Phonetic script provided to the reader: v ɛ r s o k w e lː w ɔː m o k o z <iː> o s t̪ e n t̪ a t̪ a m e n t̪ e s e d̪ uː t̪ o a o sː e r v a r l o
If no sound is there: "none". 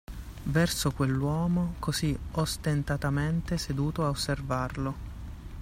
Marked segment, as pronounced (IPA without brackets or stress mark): i